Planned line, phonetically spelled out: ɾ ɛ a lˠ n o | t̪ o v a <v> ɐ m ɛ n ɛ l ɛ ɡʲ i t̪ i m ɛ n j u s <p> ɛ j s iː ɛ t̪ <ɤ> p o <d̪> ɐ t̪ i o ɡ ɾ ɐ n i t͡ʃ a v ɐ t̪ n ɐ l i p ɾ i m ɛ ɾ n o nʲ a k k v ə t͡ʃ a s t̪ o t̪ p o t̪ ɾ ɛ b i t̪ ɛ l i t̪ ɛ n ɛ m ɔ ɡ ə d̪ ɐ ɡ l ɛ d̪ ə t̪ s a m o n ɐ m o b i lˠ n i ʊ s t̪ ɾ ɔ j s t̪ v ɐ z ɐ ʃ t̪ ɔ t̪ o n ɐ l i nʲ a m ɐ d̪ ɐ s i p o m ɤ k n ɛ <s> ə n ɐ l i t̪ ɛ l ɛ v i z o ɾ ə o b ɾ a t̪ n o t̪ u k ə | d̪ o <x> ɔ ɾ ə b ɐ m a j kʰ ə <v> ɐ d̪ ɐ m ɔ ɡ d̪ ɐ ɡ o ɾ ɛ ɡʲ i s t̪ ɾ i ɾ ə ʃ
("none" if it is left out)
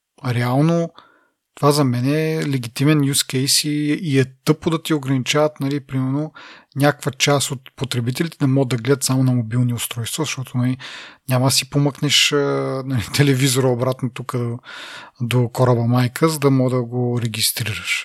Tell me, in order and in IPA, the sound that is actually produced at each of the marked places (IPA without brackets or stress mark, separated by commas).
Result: z, k, ɤ, d̪, ʃ, k, z